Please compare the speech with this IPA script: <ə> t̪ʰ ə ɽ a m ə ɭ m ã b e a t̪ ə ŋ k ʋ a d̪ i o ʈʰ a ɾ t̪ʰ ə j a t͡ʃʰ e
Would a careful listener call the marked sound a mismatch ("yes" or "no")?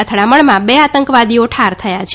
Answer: no